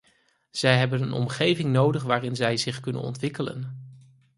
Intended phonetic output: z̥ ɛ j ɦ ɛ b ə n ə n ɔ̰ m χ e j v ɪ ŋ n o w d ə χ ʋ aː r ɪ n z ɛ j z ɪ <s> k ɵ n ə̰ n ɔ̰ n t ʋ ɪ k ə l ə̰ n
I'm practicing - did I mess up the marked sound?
yes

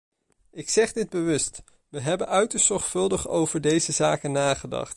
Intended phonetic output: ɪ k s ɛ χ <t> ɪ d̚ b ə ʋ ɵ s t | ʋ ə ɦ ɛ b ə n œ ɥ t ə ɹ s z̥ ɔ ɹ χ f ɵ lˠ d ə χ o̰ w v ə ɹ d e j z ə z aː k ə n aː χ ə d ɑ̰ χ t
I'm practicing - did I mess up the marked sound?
yes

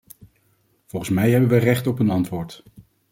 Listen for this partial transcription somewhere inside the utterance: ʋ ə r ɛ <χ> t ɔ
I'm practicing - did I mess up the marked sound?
no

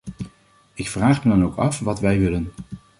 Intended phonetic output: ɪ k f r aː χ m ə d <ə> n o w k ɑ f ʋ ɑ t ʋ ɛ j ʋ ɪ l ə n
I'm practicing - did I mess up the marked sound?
yes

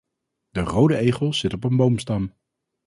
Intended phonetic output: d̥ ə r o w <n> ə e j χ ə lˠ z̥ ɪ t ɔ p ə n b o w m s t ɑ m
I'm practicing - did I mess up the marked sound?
yes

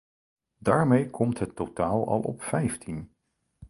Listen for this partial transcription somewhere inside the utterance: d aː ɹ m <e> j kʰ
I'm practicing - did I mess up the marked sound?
no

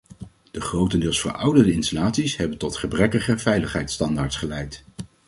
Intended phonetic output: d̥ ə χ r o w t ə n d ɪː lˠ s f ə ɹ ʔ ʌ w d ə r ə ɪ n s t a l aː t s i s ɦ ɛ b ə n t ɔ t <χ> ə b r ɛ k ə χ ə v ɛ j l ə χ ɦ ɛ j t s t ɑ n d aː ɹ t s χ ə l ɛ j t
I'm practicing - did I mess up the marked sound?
no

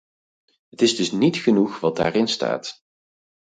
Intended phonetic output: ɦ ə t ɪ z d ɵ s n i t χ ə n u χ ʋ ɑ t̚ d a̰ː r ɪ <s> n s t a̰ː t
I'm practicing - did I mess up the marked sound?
yes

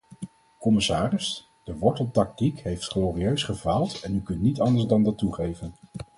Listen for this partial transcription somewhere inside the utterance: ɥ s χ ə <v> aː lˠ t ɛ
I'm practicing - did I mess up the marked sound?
no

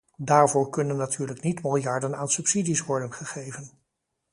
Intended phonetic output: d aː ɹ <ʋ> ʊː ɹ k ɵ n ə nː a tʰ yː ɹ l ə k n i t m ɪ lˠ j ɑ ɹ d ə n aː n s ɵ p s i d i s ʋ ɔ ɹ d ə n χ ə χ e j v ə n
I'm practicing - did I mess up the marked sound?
yes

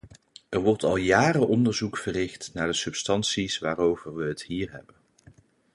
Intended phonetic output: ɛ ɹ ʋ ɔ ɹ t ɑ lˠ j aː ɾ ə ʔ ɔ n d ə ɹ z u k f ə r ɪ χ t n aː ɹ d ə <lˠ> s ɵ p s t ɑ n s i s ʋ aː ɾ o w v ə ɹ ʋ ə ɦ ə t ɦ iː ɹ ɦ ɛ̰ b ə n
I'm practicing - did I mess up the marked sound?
yes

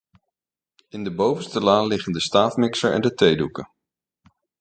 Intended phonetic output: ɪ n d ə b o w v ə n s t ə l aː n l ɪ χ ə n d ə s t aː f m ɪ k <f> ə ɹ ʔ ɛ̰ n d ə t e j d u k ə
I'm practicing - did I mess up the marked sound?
yes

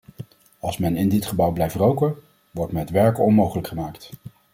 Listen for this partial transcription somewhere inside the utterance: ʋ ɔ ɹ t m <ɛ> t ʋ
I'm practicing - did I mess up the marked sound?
no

